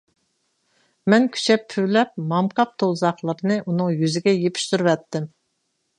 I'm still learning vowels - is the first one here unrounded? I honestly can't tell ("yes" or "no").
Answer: yes